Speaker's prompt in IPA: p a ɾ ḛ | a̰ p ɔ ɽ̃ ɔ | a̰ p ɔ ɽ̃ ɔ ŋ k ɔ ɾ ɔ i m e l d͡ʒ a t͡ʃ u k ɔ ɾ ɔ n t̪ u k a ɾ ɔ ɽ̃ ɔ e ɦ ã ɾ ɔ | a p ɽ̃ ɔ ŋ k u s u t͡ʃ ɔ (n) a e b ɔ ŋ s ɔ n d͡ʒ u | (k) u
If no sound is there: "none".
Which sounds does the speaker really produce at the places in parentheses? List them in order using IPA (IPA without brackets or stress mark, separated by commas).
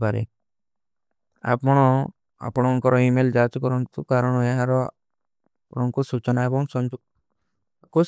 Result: n, k